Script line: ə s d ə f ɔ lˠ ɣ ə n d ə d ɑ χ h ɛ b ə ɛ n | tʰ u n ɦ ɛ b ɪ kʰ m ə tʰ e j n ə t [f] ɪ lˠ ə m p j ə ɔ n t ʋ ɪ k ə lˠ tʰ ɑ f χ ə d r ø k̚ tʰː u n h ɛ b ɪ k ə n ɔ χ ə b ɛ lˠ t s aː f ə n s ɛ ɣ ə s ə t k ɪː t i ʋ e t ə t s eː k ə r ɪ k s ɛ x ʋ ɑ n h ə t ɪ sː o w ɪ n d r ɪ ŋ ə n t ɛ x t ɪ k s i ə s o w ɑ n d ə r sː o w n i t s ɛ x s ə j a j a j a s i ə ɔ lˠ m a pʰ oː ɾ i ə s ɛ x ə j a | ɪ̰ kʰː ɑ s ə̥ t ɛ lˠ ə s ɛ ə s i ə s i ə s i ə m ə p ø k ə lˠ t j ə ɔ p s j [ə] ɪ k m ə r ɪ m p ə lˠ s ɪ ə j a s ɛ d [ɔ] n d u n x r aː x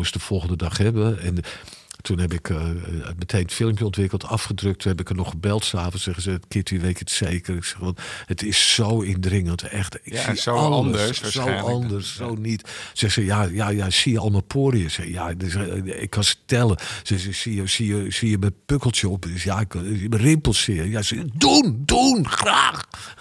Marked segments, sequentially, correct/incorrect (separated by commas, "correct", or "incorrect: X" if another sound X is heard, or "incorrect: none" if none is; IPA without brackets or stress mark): correct, incorrect: a, incorrect: u